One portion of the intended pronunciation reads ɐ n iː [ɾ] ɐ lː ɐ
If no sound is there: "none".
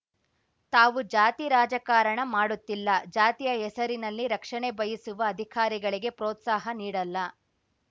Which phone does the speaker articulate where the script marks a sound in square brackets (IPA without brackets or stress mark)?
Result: ɽ